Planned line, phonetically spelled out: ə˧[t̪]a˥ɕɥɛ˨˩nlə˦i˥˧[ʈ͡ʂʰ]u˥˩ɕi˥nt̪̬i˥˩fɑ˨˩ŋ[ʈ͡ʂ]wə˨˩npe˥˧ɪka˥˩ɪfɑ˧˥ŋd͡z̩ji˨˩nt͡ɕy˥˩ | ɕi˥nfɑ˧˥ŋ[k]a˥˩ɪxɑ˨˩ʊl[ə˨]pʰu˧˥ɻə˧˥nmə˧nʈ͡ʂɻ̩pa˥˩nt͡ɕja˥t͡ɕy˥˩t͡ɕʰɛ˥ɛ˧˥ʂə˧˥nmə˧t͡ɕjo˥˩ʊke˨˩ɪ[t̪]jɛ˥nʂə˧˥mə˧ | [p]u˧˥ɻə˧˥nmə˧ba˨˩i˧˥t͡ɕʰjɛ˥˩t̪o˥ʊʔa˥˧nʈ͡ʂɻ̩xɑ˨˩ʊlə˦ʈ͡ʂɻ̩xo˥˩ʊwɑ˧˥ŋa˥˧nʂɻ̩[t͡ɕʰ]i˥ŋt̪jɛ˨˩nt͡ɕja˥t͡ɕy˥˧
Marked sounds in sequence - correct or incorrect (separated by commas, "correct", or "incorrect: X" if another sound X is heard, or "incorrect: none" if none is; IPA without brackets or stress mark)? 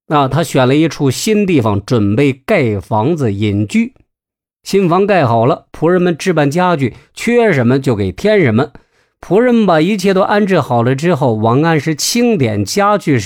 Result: incorrect: t̪ʰ, correct, correct, correct, incorrect: ə˦, incorrect: t̪ʰ, incorrect: pʰ, correct